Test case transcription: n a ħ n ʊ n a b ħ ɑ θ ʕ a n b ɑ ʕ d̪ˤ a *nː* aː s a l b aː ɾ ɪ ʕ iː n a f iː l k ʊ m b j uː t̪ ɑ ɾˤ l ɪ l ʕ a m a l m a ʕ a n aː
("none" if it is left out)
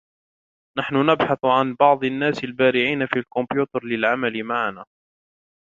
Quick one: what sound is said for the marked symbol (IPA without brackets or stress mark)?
nː